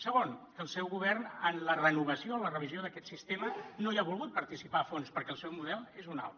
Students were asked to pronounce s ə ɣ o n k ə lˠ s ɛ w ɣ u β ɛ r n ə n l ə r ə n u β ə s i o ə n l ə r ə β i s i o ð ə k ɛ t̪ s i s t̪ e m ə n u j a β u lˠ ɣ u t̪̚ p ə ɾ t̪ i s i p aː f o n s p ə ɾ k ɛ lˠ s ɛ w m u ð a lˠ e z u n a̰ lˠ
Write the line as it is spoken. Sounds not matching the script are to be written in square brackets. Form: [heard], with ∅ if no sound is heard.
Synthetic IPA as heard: s ə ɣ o n k ə lˠ s ɛ w ɣ u β ɛ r n ə n l ə r ə n u β ə s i o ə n l ə r ə β i [z] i o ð ə k ɛ t̪ s i s t̪ e m ə n [o] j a β u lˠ ɣ u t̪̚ p ə ɾ t̪ i s i p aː f o n s p ə ɾ k ɛ lˠ s ɛ w m u ð [ɛ] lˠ e z u n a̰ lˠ